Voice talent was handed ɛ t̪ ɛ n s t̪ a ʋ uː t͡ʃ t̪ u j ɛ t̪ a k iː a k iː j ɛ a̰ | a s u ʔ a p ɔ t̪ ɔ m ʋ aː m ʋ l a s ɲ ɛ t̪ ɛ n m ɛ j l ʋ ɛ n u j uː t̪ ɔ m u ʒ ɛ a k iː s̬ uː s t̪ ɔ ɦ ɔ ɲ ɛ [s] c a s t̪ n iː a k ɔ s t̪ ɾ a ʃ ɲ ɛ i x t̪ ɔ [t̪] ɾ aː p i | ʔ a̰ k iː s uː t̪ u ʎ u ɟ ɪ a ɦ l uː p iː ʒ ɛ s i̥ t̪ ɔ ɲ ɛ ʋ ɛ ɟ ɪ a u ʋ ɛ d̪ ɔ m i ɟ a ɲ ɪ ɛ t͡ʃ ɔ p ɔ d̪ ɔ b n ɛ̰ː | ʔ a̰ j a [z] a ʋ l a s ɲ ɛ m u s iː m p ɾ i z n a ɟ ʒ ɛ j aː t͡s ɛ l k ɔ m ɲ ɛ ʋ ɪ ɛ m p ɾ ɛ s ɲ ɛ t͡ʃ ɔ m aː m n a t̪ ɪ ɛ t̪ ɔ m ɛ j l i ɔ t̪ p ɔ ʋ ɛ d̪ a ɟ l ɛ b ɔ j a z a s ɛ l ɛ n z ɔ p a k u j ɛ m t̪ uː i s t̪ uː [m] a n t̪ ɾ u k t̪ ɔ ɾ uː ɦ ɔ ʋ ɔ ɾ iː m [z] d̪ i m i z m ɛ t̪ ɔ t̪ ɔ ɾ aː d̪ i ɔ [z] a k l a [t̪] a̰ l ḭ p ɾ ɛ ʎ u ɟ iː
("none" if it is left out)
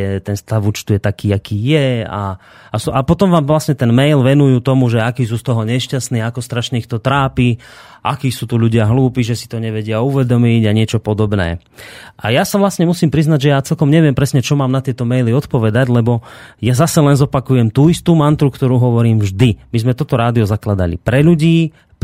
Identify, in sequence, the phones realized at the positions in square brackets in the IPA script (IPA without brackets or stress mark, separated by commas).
ʃ, t̪, s, m, ʒ, z, d̪